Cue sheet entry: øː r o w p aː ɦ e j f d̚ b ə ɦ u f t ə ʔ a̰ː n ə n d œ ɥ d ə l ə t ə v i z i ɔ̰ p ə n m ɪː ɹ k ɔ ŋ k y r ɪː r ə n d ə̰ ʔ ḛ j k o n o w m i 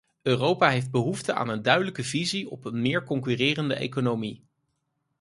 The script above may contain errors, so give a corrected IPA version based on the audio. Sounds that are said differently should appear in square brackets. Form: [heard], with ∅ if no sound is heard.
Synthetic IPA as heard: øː r o w p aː ɦ e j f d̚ b ə ɦ u f t ə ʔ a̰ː n ə n d œ ɥ d ə l ə [k] ə v i z i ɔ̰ p ə n m ɪː ɹ k ɔ ŋ k y r ɪː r ə n d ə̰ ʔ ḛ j k o n o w m i